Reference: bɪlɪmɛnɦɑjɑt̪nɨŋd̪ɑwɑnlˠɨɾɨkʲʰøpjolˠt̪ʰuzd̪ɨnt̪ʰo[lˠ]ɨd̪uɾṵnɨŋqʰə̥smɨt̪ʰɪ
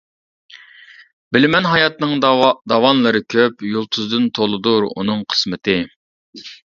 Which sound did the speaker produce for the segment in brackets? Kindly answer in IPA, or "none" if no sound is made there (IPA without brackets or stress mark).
lˠ